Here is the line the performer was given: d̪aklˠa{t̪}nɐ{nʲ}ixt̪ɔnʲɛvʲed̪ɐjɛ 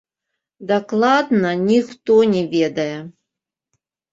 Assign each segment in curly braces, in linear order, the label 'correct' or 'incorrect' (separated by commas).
incorrect, correct